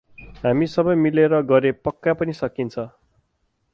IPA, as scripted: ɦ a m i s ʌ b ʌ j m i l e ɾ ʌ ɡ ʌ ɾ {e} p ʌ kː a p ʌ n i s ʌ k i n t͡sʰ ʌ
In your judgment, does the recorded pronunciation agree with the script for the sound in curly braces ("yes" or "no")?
yes